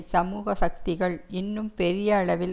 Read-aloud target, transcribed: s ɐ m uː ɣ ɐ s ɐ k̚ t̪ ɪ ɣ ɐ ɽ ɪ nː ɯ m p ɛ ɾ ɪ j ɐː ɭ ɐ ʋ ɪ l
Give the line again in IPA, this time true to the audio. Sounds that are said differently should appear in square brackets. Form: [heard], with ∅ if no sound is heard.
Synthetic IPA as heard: s ɐ m uː ɣ ɐ s ɐ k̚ t̪ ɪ ɣ ɐ [ɭ] ɪ nː ɯ m p ɛ ɾ ɪ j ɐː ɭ ɐ ʋ ɪ l

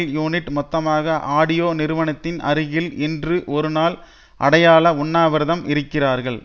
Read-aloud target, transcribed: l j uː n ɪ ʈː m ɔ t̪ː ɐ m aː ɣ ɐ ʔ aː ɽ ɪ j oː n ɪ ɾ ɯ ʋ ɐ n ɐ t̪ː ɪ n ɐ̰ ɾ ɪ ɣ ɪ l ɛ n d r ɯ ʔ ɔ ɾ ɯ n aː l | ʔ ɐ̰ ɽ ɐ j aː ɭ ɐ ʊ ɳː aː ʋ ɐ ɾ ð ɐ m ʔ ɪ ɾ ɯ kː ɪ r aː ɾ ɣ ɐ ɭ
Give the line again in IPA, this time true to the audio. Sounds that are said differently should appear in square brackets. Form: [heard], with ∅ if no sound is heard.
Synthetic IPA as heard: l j uː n ɪ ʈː m ɔ t̪ː ɐ m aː ɣ ɐ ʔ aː ɽ ɪ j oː n ɪ ɾ ɯ ʋ ɐ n ɐ t̪ː ɪ n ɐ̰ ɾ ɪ ɣ ɪ l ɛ n d r ɯ ʔ ɔ ɾ ɯ n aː l | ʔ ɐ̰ ɽ ɐ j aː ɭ ɐ ʊ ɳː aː ʋ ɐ ɾ ð ɐ m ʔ ɪ ɾ ɯ kː ɪ r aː ɾ ɣ ɐ ɭ

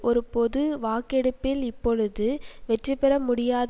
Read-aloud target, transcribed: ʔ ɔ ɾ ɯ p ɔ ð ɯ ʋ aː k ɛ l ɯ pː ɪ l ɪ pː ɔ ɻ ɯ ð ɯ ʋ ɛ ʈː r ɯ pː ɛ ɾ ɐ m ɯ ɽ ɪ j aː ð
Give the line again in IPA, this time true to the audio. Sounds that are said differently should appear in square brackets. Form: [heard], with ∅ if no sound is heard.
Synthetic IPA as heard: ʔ ɔ ɾ ɯ p ɔ ð ɯ ʋ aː k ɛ [ɽ] ɯ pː ɪ l ɪ pː ɔ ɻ ɯ ð ɯ ʋ ɛ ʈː r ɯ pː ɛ ɾ ɐ m [ʊ] ɽ ɪ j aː ð

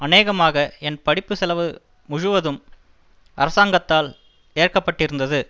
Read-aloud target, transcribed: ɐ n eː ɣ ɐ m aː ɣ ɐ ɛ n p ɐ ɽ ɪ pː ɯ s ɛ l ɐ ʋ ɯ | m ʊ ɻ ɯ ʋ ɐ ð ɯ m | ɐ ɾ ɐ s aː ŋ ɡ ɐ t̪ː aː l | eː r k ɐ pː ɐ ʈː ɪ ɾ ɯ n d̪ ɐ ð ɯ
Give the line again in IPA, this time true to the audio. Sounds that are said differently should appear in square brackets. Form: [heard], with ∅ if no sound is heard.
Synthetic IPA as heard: ɐ n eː ɣ ɐ m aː ɣ ɐ ɛ n p ɐ ɽ ɪ pː ɯ s ɛ l ɐ ʋ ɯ | m ʊ ɻ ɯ ʋ ɐ ð ɯ m | ɐ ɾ ɐ s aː ŋ ɡ ɐ t̪ː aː l | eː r k ɐ pː ɐ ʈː ɪ ɾ ɯ n d̪ ɐ ð ɯ

